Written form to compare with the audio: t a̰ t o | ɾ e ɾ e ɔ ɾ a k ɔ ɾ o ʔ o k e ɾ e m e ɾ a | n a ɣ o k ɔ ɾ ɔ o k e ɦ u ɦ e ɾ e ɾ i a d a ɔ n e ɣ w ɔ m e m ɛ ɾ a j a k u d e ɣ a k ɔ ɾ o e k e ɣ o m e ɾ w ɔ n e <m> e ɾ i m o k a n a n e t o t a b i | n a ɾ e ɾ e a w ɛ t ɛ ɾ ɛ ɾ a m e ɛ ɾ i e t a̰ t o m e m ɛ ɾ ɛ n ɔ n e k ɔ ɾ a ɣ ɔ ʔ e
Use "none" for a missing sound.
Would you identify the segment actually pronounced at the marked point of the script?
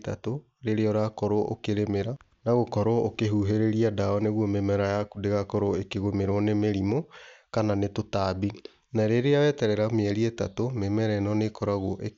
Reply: m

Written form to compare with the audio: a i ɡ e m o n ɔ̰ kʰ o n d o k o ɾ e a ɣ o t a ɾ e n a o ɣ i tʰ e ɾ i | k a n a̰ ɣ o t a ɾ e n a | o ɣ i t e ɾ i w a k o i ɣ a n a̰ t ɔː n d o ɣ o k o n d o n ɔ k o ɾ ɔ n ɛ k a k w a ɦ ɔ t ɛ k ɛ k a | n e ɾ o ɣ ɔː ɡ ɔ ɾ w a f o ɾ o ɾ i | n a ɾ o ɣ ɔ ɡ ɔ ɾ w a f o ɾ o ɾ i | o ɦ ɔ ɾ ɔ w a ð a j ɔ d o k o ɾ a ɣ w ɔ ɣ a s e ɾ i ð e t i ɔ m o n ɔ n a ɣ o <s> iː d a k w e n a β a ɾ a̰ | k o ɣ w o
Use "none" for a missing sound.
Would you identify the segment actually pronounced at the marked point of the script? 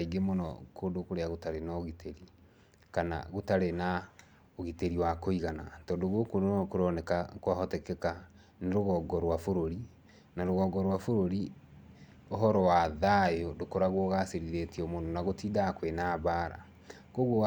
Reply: t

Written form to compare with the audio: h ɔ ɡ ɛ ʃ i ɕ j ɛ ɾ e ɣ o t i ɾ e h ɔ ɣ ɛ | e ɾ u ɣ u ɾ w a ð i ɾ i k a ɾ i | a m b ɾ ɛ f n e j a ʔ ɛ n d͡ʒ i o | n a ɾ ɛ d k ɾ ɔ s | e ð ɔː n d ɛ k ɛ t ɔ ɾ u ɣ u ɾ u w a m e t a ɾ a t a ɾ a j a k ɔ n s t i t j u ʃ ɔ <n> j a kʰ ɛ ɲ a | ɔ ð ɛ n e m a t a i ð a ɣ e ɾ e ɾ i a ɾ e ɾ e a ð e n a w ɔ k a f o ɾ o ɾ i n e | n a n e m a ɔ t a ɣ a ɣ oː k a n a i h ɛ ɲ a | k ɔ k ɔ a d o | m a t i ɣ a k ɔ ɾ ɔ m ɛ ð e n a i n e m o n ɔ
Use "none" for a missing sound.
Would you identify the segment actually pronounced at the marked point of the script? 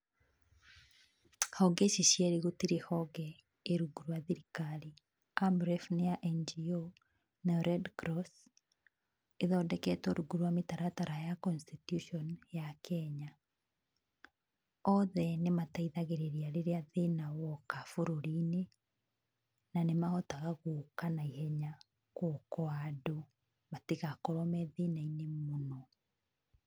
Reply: n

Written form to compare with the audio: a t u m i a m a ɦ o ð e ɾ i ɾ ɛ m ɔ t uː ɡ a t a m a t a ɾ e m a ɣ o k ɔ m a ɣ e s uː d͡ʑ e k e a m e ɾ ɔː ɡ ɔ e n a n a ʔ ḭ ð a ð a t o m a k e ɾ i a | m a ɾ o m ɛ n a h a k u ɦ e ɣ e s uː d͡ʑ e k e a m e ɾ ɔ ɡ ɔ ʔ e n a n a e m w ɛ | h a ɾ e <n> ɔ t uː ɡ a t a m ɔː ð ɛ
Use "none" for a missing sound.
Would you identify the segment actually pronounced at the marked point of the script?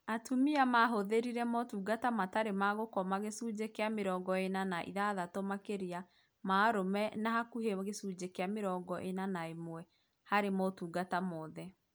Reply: m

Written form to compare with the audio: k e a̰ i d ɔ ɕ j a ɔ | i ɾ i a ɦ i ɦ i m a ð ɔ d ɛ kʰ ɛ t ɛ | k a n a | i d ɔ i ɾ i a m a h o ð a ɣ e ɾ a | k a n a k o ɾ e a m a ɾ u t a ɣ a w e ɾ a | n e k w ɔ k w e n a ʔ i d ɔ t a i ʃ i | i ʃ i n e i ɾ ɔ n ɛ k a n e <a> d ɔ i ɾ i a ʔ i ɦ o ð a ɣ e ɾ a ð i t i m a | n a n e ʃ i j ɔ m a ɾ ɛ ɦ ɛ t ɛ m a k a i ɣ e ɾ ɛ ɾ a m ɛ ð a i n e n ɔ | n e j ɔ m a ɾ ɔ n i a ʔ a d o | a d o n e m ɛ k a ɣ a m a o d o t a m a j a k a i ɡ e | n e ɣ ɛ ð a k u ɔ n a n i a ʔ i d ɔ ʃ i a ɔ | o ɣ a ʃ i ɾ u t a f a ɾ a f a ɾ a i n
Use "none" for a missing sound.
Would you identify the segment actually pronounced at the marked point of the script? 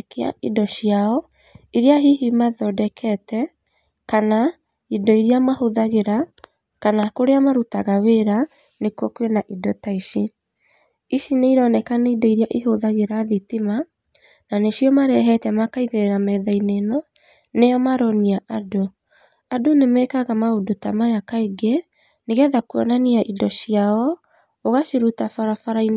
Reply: i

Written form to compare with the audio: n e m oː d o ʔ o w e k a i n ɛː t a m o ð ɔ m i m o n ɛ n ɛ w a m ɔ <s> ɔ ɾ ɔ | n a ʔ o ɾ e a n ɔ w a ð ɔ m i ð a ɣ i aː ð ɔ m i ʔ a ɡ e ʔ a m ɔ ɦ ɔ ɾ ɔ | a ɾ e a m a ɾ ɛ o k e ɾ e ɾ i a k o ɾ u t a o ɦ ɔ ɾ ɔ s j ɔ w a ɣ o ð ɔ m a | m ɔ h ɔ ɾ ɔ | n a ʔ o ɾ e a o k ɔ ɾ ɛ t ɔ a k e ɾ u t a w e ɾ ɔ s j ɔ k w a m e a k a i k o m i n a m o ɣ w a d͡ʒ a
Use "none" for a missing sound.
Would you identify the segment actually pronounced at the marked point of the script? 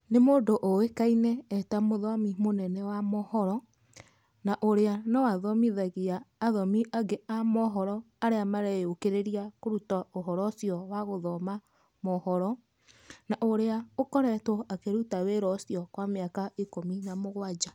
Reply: h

